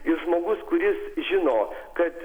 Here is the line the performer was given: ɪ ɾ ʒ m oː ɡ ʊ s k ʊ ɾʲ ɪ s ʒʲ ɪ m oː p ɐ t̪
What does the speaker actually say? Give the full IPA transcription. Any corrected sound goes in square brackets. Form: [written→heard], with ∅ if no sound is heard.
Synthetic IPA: ɪ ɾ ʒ m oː ɡ ʊ s k ʊ ɾʲ ɪ s ʒʲ ɪ [m→n] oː [p→k] ɐ t̪